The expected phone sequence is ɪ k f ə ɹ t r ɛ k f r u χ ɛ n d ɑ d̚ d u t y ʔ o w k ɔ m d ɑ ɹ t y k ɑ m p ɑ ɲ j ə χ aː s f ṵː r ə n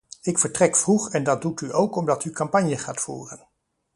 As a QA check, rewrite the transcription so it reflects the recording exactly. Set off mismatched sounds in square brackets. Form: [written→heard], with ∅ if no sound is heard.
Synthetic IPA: ɪ k f ə ɹ t r ɛ k f r u χ ɛ n d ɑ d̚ d u t y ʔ o w k ɔ m d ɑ [ɹ→∅] t y k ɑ m p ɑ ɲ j ə χ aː [s→t] f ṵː r ə n